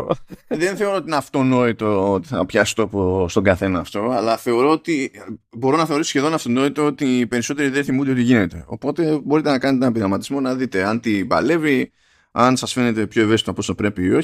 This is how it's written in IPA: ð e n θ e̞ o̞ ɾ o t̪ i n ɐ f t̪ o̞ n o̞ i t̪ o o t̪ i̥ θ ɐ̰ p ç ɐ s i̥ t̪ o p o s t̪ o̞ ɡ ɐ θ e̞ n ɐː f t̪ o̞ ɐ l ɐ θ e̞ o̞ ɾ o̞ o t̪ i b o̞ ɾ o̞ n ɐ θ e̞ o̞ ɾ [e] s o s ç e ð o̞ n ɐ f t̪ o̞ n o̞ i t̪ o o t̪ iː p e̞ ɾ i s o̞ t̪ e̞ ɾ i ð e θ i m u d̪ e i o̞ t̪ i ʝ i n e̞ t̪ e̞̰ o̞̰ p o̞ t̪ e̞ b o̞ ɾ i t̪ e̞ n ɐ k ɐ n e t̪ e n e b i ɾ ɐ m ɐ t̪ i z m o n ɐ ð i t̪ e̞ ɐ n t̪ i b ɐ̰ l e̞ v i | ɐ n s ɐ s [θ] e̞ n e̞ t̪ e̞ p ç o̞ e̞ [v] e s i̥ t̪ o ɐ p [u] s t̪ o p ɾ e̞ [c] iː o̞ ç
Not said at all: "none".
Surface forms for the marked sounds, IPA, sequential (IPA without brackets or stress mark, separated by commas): i, f, v, o, p